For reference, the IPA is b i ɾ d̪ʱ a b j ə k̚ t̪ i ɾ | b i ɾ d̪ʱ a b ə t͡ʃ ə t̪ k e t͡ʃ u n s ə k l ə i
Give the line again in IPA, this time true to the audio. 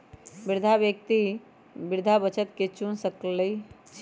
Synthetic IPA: b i ɾ d̪ʱ a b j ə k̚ t̪ i | b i ɾ d̪ʱ a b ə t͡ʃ ə t̪ k e t͡ʃ u n s ə k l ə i